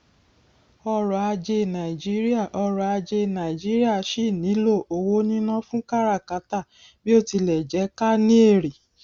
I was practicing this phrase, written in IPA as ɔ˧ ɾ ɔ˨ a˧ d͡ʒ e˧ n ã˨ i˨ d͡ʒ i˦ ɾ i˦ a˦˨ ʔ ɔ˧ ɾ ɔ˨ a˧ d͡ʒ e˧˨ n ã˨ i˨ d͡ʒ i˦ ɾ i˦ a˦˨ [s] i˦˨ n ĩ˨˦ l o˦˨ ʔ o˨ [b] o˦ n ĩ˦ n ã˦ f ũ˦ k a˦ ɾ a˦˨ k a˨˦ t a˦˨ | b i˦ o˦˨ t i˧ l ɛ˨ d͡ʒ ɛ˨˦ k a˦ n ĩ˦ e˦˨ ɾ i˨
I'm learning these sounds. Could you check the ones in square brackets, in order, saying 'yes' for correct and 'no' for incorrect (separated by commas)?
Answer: no, no